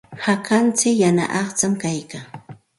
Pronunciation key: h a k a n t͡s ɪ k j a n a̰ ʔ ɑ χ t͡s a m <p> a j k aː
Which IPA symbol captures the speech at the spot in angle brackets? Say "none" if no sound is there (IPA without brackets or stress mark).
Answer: k